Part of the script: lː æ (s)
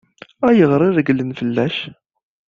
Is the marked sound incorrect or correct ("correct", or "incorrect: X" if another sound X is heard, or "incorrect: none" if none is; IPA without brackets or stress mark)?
incorrect: ʃ